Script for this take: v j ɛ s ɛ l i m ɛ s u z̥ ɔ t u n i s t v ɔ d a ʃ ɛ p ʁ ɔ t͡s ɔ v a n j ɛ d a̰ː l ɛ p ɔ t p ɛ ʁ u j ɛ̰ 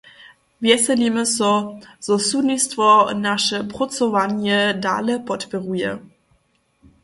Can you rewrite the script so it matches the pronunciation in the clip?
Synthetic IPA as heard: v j ɛ s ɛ l i m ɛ s ɔ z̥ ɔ s u n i s t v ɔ n a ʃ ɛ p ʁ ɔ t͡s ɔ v a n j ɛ d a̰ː l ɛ p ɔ t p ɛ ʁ u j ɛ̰